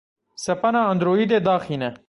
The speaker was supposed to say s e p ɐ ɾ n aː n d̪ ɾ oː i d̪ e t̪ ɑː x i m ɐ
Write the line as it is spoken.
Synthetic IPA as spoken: s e p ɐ n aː n d̪ ɾ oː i d̪ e d̪ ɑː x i n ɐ